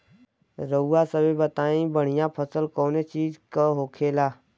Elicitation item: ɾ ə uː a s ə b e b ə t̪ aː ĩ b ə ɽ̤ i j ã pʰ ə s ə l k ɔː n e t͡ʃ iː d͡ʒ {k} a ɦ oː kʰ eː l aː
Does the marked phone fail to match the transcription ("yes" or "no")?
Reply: no